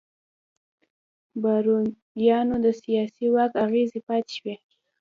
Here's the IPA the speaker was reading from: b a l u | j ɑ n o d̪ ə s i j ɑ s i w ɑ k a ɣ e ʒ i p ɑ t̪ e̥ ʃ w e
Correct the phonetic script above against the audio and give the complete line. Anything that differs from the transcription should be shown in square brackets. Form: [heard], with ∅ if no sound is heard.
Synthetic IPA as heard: b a [ɾ] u | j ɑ n o d̪ ə s i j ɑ s i w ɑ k a ɣ e [z] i p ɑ t̪ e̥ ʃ w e